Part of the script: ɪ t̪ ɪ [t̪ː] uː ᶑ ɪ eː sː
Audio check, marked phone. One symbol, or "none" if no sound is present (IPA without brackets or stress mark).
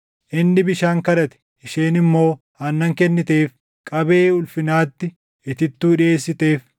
t̪ː